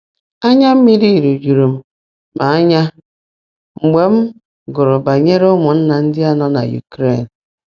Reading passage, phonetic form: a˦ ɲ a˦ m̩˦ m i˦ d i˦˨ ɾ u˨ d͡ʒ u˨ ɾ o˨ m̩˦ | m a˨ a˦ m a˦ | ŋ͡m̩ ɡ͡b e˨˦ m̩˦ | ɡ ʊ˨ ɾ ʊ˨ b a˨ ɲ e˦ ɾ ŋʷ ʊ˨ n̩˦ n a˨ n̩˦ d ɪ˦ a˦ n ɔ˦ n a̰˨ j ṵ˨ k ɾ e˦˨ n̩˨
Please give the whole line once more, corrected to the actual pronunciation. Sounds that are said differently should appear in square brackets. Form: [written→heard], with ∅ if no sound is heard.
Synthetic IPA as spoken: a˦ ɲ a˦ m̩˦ m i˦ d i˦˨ ɾ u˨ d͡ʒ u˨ ɾ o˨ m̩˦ | m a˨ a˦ [m→ɲ] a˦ | ŋ͡m̩ ɡ͡b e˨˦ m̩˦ | ɡ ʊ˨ ɾ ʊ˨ b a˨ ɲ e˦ ɾ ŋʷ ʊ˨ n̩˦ n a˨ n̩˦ d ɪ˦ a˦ n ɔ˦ n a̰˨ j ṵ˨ k ɾ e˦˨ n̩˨

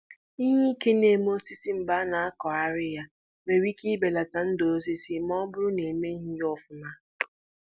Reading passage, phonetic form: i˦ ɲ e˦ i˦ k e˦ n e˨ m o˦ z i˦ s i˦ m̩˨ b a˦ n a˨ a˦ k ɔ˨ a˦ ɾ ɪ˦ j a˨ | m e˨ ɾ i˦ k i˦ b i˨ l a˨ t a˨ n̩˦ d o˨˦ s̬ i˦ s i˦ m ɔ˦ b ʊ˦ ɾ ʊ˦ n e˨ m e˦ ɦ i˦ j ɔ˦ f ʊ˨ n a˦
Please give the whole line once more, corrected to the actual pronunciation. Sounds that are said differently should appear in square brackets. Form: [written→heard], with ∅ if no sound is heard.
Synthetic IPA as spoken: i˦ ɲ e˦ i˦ k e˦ n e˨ m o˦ [z→s] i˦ s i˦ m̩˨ b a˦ n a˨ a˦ k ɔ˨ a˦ ɾ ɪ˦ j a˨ | m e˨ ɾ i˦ k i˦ b [i˨→e˨] l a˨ t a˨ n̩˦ d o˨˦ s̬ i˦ s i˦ m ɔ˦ b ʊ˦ ɾ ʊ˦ n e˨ m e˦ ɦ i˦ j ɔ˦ f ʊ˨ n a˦

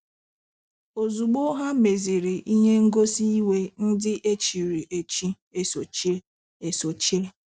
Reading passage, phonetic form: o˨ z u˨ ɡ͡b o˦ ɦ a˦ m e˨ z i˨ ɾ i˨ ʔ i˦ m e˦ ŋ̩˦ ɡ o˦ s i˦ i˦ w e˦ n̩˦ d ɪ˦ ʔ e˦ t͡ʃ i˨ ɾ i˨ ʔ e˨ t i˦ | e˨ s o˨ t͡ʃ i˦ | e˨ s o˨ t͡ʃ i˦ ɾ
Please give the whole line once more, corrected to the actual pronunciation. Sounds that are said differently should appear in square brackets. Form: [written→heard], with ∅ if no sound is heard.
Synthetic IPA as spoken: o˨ z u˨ ɡ͡b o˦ ɦ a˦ m e˨ z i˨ ɾ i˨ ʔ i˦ [m→ɲ] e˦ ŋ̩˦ ɡ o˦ s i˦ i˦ w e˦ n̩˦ d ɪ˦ ʔ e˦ t͡ʃ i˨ ɾ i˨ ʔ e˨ [t→t͡ʃ] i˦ | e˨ s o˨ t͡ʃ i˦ | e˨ s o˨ t͡ʃ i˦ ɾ

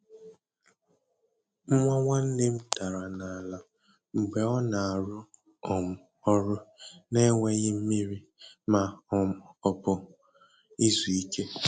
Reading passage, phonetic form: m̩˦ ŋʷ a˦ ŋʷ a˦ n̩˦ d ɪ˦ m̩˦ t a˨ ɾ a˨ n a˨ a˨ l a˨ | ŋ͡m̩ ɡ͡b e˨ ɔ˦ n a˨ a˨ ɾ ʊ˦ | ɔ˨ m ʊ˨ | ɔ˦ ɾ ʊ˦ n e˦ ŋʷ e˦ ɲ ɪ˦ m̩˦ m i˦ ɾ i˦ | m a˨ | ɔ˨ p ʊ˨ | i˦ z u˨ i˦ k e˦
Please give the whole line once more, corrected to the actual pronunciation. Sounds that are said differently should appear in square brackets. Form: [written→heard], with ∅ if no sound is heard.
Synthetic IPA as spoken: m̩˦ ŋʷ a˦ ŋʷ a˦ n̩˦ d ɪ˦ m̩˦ t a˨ ɾ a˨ n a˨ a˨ l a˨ | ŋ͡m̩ ɡ͡b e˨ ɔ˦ n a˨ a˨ ɾ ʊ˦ | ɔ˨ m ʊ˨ | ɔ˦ ɾ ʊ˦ n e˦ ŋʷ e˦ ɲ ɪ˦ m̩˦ m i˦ ɾ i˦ | m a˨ | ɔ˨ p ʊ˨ | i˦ z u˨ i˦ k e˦

